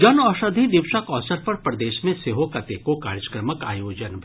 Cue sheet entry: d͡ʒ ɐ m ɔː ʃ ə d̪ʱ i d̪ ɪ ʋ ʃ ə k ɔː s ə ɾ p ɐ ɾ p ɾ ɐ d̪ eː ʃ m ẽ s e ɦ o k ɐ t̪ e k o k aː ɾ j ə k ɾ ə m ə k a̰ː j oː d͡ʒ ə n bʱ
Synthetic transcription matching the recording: d͡ʒ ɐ n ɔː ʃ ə d̪ʱ i d̪ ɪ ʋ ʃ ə k ɔː s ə ɾ p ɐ ɾ p ɾ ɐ d̪ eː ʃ m ẽ s e ɦ o k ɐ t̪ e k o k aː ɾ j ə k ɾ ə m ə k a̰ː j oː d͡ʒ ə n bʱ